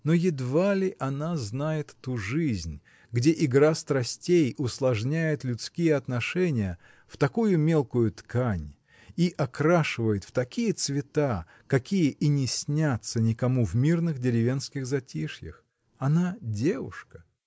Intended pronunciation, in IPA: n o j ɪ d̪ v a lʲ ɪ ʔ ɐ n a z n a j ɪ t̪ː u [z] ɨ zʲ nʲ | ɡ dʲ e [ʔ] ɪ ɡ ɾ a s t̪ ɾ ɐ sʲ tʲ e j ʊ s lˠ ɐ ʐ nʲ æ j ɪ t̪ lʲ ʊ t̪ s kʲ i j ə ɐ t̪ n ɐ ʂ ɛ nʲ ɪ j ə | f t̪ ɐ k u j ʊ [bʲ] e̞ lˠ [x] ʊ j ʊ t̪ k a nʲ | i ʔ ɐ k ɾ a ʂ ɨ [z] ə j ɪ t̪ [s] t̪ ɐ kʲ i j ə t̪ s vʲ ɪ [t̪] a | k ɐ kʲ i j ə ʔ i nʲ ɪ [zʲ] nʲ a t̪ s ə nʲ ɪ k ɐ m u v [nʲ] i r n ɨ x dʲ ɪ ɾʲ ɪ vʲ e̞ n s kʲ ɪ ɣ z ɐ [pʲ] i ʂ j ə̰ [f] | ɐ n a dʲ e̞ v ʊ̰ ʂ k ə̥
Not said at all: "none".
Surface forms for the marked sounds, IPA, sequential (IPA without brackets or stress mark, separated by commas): ʐ, ʔ, mʲ, k, v, f, t̪, sʲ, mʲ, tʲ, x